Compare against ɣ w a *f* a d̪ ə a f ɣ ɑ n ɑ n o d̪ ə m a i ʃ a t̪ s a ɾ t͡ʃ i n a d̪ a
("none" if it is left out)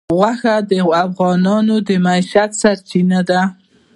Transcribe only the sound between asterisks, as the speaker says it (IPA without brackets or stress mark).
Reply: x